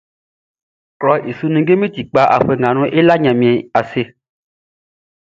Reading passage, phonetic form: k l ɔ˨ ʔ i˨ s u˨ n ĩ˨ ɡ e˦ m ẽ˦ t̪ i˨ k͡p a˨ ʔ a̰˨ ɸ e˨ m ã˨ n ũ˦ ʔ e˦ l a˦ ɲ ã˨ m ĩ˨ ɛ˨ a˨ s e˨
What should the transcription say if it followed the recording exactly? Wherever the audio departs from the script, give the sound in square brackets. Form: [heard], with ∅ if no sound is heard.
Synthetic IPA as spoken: k l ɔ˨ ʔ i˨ s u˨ n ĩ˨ ɡ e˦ m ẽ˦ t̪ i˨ k͡p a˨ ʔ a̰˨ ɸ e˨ [ŋ] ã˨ n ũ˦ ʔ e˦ l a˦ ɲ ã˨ m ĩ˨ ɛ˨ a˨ s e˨